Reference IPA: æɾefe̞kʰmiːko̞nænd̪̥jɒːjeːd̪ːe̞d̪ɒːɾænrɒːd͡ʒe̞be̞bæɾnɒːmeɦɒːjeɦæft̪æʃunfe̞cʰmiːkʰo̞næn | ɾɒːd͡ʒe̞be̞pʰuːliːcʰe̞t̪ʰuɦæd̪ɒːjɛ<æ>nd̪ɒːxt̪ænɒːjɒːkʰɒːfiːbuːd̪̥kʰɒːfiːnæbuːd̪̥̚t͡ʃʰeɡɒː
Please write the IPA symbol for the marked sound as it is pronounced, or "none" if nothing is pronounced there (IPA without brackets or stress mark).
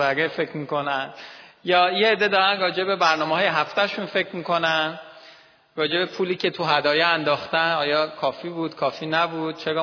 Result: æ